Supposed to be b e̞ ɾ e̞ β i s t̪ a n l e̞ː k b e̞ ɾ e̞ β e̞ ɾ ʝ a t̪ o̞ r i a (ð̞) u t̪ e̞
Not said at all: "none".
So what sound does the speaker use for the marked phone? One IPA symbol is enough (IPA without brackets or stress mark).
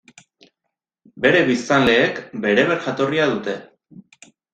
ð̞